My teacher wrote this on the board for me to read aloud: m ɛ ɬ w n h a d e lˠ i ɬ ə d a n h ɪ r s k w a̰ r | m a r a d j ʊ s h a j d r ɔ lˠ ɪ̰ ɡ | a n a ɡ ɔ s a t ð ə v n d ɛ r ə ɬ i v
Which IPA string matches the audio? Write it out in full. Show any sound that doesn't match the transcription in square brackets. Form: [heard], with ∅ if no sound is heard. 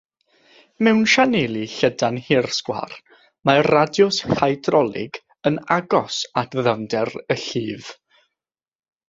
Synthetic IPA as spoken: m ɛ [∅] w n [ʃ] a [n] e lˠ i ɬ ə d a n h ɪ r s k w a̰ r | m a r a d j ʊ s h a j d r ɔ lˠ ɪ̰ ɡ | [ə] n a ɡ ɔ s a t ð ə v n d ɛ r ə ɬ [iː] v